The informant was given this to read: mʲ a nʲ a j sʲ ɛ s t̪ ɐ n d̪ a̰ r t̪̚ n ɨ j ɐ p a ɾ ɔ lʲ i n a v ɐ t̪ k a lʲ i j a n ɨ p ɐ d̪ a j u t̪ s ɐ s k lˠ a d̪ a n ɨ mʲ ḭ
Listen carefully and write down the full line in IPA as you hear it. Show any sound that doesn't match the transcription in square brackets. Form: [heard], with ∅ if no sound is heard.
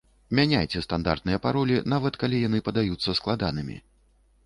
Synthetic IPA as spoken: mʲ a nʲ a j [t͡sʲ] ɛ s t̪ [a] n d̪ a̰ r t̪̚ n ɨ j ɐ p a ɾ ɔ lʲ i n a v ɐ t̪ k a lʲ i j a n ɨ p ɐ d̪ a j u t̪ [sː] ɐ s k lˠ a d̪ a n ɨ mʲ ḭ